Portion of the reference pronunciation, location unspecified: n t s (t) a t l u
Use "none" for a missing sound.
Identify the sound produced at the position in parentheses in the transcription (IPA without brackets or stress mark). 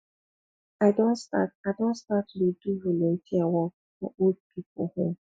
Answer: t